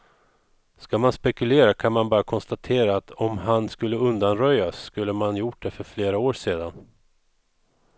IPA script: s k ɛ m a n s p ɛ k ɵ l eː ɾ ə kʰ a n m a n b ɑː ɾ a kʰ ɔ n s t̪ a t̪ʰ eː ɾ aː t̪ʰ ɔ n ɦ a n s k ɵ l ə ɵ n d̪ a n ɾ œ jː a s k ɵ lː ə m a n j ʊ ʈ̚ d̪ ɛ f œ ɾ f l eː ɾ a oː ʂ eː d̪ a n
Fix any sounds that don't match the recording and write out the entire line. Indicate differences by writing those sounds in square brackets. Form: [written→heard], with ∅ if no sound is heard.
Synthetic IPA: s k [ɛ→a] m a n s p ɛ k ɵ l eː ɾ [ə→a] kʰ a n m a n b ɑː ɾ a kʰ ɔ n s t̪ a t̪ʰ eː ɾ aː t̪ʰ ɔ [n→m] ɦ a n s k ɵ [l→lː] ə ɵ n d̪ a n ɾ œ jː a s k ɵ lː ə m a n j ʊ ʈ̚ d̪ ɛ f œ ɾ f l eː ɾ a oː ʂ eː d̪ a n